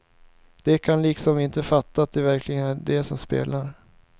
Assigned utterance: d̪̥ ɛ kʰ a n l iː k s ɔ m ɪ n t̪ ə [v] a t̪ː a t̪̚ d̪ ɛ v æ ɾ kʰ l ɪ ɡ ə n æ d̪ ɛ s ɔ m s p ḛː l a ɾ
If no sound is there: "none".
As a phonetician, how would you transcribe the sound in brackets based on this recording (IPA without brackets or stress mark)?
f